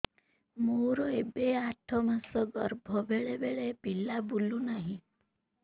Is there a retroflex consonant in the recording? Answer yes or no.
yes